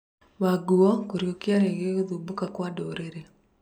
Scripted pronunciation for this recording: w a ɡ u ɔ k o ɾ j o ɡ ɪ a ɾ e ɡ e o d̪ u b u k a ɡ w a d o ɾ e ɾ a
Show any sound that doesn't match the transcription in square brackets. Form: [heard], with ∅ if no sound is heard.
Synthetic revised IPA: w a ɡ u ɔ k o ɾ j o [k] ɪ a ɾ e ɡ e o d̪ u b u k a [k] w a d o ɾ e ɾ [e]

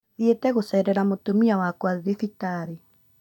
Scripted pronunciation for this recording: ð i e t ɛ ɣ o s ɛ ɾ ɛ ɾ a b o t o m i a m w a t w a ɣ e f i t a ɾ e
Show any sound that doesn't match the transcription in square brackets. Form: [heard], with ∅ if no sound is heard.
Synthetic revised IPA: ð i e t ɛ ɣ o s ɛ ɾ ɛ ɾ a [m] o t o m i a [∅] w a [k] w a [ð] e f i t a ɾ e

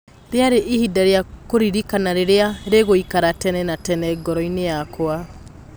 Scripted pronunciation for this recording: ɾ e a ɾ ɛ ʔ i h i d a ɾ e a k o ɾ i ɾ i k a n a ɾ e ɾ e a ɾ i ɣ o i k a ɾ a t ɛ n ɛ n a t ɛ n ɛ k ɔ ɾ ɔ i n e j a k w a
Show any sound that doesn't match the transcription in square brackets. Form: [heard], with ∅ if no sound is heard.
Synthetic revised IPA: ɾ e a ɾ [e] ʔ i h i d a ɾ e a k o ɾ i ɾ i k a n a ɾ e ɾ e a ɾ [e] ɣ o i k a ɾ a t ɛ n ɛ n a t ɛ n ɛ [ɡ] ɔ ɾ ɔ i n e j a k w a

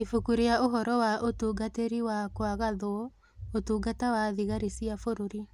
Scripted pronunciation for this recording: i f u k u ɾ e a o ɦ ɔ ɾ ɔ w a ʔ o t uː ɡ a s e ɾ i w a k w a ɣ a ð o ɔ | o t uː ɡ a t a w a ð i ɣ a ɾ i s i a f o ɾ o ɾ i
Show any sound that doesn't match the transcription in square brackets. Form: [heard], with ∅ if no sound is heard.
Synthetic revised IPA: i f u k u ɾ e a o ɦ ɔ ɾ ɔ w a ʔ o t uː ɡ a [t] e ɾ i w a k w a ɣ a ð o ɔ | o t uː ɡ a t a w a ð i ɣ a ɾ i s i a f o ɾ o ɾ i

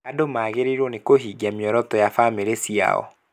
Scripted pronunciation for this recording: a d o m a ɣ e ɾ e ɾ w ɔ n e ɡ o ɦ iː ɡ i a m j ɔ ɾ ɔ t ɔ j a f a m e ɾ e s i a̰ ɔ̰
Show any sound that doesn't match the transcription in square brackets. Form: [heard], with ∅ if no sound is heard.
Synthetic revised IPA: a d o m a ɣ e ɾ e ɾ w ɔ n e [k] o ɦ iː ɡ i a m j ɔ ɾ ɔ t ɔ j a f a m e ɾ e s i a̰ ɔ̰

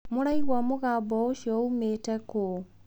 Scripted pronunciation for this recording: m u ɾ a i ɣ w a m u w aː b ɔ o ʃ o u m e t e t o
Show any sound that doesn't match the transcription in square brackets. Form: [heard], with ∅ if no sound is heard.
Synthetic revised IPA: m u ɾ a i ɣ w a m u [ɣ] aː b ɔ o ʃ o u m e t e [k] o

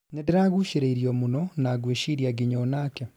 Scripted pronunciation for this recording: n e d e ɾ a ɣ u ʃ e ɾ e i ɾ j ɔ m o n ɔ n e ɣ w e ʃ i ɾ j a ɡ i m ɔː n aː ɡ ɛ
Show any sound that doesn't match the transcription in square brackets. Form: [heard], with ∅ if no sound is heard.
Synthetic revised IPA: n e d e ɾ a ɣ u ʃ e ɾ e i ɾ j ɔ m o n ɔ n [a] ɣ w e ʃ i ɾ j a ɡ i [ɲ] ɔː n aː [k] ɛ

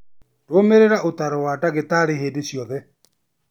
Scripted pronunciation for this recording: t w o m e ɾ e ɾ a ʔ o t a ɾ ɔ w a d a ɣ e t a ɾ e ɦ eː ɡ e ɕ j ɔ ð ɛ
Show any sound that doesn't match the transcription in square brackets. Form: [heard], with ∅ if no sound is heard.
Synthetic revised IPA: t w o m e ɾ e ɾ a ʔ o t a ɾ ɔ w a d a ɣ e t a ɾ e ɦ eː [d] e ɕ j ɔ ð ɛ

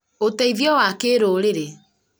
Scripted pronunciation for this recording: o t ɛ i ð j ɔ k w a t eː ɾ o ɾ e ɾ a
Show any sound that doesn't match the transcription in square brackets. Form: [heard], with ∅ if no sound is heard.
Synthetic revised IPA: o t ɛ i ð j ɔ [∅] w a [k] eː ɾ o ɾ e ɾ [e]

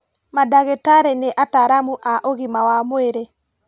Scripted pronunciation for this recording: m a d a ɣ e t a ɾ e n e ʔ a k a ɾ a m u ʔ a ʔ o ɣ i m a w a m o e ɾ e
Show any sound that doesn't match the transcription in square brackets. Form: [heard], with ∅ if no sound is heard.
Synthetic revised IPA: m a d a ɣ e t a ɾ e n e ʔ a [t] a ɾ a m u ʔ a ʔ o ɣ i m a w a m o e ɾ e

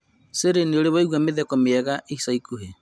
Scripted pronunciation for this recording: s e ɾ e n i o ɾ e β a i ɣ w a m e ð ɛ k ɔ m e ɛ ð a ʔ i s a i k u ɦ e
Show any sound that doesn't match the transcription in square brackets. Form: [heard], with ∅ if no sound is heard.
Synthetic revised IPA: s e ɾ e n i o ɾ e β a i ɣ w a m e ð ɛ k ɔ m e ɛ [ɣ] a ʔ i s a i k u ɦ e

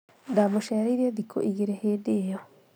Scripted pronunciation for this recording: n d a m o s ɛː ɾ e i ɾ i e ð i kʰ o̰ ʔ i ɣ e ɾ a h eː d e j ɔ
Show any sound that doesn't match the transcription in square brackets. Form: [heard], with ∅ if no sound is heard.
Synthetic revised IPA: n d a m o [ʃ] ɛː ɾ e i ɾ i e ð i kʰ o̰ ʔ i ɣ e ɾ [e] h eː d e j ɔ

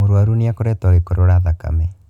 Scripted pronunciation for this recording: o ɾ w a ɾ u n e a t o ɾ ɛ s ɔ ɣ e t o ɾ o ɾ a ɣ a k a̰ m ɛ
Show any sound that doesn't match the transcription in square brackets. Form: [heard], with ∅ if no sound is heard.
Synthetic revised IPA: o ɾ w a ɾ u n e a [k] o ɾ ɛ [t] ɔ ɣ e [k] o ɾ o ɾ a [ð] a k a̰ m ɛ

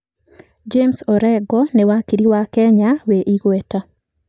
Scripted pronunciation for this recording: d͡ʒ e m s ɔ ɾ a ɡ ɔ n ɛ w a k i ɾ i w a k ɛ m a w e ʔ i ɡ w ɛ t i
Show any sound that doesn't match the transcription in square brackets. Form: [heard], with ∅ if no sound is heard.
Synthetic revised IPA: d͡ʒ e m s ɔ ɾ [ɛ] ɡ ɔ n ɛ w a k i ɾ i w a k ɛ [ɲ] a w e ʔ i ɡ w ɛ t [a]

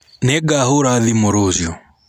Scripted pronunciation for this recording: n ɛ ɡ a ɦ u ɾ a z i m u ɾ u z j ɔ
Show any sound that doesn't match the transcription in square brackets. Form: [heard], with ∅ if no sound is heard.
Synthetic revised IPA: n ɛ ɡ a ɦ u ɾ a [ð] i m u ɾ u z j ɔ

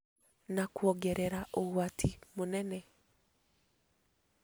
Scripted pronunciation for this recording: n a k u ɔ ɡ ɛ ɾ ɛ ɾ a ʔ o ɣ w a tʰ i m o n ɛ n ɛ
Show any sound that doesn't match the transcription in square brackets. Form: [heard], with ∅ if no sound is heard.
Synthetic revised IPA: n a k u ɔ ɡ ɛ ɾ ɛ ɾ a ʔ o ɣ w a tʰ i m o n ɛ n ɛ

